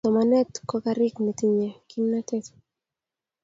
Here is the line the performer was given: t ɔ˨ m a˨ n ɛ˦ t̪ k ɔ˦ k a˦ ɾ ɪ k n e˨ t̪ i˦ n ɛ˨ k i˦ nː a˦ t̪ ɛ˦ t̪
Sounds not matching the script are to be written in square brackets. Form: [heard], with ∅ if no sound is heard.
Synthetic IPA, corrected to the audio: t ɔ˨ m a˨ n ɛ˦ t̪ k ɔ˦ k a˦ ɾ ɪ k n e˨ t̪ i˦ [ɲ] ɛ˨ k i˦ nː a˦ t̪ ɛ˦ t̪